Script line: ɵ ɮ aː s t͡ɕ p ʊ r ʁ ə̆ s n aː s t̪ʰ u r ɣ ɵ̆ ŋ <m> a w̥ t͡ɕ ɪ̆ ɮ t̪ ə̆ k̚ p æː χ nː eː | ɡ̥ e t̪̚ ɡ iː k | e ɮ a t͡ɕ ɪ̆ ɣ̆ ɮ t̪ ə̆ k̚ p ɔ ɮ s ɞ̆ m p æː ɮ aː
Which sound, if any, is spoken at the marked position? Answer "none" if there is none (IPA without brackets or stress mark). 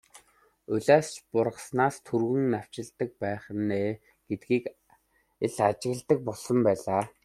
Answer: n